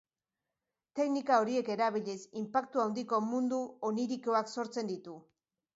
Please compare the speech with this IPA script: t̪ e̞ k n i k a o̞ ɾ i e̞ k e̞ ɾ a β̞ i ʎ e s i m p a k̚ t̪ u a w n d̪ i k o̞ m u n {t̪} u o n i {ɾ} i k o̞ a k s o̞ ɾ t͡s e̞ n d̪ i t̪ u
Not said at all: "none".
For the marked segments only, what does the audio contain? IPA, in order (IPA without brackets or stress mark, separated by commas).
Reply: d̪, ɾ